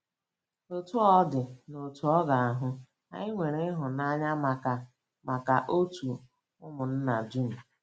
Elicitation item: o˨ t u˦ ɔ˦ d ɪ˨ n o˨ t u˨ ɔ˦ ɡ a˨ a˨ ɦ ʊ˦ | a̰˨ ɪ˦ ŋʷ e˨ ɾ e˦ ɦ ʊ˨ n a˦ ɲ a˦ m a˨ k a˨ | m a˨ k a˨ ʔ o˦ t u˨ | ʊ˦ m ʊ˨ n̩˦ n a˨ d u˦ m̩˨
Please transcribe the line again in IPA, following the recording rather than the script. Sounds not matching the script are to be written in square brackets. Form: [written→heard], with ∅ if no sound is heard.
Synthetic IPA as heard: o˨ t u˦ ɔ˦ d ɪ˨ n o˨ t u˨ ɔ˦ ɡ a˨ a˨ ɦ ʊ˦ | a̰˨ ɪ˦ ŋʷ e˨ ɾ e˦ ɦ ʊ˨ n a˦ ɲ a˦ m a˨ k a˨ | m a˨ k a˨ ʔ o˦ t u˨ | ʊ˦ m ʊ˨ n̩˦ n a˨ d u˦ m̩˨